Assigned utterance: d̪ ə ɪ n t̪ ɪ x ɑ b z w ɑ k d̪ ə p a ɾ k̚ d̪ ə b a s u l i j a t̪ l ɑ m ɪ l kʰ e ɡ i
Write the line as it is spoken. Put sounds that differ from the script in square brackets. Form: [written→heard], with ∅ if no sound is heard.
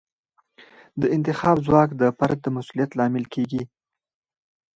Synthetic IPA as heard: d̪ ə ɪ n t̪ ɪ x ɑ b z w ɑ k d̪ ə p a ɾ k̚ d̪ ə [b→m] a s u l i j a t̪ l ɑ m ɪ l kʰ e ɡ i